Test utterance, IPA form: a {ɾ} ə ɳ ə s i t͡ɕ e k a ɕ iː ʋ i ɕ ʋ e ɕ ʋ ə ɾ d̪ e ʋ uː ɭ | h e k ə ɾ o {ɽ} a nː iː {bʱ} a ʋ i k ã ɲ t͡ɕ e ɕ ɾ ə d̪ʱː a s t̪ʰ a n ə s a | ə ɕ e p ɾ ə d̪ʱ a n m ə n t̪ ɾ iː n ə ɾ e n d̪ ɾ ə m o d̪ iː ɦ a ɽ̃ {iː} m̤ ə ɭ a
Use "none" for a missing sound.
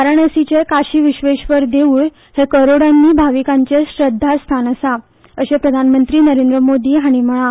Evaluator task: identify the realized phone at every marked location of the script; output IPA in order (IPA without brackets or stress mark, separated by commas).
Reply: ɾ, ɽ, bʱ, i